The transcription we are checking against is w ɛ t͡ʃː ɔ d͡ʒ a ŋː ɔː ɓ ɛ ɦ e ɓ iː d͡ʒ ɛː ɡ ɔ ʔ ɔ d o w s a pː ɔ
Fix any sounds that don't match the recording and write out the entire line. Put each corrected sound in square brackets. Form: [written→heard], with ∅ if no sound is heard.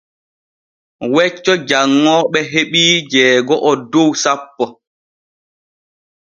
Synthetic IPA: w ɛ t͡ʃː ɔ d͡ʒ a ŋː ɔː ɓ ɛ ɦ e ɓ iː d͡ʒ ɛː ɡ ɔ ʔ ɔ d o w s a pː ɔ